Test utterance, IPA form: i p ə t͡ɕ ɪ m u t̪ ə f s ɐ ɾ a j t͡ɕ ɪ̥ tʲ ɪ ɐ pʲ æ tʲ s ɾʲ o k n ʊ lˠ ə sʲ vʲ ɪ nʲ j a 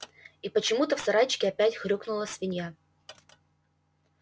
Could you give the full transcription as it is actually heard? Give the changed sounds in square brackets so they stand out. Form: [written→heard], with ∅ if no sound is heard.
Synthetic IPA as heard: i p ə t͡ɕ ɪ m u t̪ ə f s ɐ ɾ a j t͡ɕ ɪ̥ [tʲ→kʲ] ɪ ɐ pʲ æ tʲ [s→x] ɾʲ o k n ʊ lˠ ə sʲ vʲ ɪ nʲ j a